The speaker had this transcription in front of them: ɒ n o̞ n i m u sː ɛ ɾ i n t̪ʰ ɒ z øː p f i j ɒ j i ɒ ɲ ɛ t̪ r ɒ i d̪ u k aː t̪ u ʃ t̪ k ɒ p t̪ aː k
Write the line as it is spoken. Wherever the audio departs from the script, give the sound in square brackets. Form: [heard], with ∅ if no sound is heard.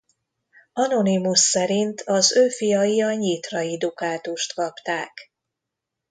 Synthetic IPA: ɒ n o̞ n i m u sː ɛ ɾ i n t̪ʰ ɒ z øː [∅] f i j ɒ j i ɒ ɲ [i] t̪ r ɒ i d̪ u k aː t̪ u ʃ t̪ k ɒ p t̪ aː k